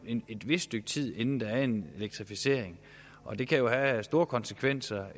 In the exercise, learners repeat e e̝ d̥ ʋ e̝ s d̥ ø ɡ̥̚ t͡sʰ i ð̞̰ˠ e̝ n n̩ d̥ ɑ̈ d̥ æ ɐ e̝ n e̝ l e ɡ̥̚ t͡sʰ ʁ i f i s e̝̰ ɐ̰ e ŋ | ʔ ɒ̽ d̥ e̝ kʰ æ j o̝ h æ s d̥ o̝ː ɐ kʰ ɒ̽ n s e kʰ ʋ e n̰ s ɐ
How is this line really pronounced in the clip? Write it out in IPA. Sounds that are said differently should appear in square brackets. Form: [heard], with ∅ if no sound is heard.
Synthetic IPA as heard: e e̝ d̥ ʋ e̝ s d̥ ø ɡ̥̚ t͡sʰ i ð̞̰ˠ e̝ n n̩ d̥ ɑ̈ [∅] æ ɐ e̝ n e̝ l e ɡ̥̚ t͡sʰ ʁ i f i s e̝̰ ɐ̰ e ŋ | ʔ ɒ̽ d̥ e̝ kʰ æ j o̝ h æ s d̥ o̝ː ɐ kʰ ɒ̽ n s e kʰ ʋ e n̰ s ɐ